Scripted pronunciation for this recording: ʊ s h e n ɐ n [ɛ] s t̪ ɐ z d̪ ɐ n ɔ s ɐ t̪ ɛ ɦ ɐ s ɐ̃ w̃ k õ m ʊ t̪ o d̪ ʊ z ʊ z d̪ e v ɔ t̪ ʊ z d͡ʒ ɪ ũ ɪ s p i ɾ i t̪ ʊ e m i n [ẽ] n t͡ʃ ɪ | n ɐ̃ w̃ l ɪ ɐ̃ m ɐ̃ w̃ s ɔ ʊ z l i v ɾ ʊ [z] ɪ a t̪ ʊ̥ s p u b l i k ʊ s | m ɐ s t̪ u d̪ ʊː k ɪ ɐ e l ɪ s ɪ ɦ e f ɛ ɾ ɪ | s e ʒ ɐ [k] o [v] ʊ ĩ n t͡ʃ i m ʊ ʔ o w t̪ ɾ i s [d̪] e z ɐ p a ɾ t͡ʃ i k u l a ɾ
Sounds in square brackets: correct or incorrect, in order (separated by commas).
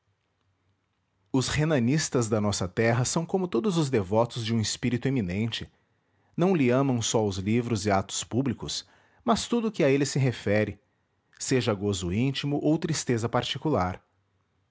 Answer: incorrect, correct, correct, incorrect, incorrect, incorrect